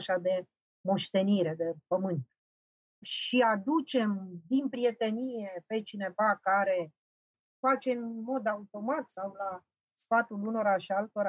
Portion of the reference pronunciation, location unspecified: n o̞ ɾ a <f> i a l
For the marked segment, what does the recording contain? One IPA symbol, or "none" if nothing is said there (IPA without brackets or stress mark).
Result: ʃ